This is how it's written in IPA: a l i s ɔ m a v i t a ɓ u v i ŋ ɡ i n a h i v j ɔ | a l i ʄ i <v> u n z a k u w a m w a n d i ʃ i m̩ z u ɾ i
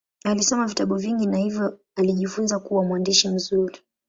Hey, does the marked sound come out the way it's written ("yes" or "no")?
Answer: no